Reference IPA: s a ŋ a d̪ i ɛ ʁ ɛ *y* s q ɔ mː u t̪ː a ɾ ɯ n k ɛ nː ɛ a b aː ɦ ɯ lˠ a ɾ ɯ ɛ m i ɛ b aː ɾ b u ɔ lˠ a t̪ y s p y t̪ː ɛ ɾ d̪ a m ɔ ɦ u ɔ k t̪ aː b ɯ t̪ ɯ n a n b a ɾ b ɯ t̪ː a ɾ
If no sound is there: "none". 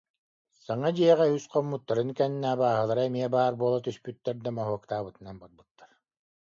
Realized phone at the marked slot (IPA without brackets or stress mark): y